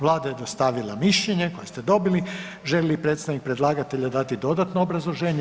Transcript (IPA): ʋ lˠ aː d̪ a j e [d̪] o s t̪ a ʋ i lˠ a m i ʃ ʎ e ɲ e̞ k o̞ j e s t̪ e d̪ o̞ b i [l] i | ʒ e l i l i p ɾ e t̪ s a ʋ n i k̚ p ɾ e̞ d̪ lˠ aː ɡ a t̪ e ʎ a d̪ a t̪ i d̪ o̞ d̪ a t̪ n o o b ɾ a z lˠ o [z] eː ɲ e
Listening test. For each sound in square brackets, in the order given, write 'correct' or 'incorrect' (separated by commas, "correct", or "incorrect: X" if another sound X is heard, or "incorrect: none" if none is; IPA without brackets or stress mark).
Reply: correct, correct, incorrect: ʒ